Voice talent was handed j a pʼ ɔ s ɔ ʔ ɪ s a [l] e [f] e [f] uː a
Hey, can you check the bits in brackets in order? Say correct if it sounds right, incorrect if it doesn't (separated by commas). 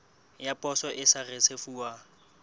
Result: incorrect, incorrect, correct